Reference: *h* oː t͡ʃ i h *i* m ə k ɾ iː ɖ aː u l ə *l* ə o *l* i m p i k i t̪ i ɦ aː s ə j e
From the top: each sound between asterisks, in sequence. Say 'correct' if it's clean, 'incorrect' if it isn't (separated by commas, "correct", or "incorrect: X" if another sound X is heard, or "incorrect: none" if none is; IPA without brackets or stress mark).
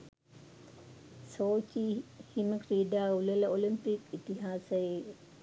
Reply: incorrect: s, correct, correct, correct